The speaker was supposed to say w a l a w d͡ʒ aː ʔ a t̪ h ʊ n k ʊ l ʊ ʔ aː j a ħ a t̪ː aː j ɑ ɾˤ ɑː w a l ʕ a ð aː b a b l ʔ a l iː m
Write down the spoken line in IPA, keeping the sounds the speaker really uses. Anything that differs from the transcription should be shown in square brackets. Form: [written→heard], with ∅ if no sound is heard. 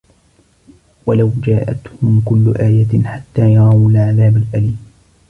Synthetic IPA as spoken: w a l a w d͡ʒ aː ʔ a t̪ h ʊ [n→m] k ʊ [l→lː] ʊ ʔ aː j a ħ a t̪ː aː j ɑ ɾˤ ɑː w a l ʕ a ð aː b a [b→∅] l ʔ a l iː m